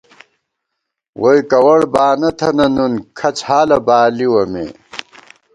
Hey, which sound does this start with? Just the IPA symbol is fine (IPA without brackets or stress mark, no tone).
w